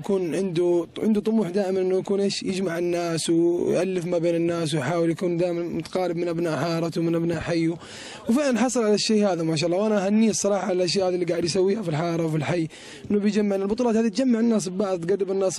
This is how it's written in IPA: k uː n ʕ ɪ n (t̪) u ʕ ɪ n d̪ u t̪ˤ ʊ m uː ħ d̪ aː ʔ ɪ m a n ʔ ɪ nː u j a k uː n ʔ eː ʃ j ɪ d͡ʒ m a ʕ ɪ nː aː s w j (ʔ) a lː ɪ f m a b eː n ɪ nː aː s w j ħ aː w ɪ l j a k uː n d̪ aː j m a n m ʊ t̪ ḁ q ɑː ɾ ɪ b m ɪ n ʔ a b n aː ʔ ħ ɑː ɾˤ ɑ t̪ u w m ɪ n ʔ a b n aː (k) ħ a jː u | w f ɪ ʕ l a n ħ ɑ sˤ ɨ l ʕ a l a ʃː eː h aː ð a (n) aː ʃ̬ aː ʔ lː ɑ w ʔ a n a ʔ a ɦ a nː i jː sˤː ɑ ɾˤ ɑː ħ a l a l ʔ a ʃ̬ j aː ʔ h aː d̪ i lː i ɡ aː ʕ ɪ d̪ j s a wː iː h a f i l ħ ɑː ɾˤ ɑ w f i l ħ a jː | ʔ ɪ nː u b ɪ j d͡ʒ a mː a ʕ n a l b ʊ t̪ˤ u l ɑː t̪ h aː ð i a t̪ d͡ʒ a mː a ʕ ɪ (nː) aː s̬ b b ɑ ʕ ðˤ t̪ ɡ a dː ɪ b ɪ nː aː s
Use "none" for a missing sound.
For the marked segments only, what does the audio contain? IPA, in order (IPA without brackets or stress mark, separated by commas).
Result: d̪, ʔ, ʔ, m, nː